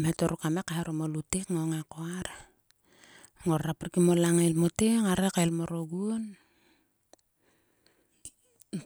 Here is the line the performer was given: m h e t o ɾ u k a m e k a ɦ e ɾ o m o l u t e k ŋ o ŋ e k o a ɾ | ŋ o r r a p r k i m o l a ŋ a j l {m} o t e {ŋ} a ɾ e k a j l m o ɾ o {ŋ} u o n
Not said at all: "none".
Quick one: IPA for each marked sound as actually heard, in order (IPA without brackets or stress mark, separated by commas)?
m, ŋ, ɡ